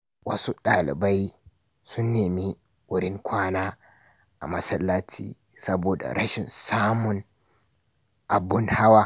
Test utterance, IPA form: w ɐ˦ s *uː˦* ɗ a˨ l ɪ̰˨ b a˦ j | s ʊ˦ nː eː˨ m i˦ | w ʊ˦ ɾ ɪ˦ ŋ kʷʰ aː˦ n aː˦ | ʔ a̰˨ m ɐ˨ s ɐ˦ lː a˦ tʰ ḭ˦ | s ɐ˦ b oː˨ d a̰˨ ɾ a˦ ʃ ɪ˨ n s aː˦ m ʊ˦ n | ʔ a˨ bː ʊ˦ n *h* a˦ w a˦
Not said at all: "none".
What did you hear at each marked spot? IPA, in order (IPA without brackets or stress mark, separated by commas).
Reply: u˦, h